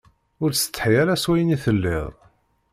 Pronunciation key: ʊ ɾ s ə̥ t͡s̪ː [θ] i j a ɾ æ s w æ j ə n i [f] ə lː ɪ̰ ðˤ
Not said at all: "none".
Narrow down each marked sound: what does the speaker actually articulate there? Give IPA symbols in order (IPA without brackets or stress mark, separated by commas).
ħ, θ